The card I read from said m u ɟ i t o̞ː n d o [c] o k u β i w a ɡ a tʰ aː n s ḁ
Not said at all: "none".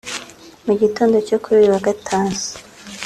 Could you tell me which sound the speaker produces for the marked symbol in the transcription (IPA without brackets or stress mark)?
c